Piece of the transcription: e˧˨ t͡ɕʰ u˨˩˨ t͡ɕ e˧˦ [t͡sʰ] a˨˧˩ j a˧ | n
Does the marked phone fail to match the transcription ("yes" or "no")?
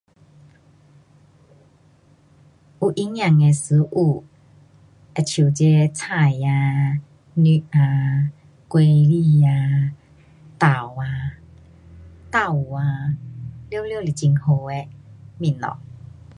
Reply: no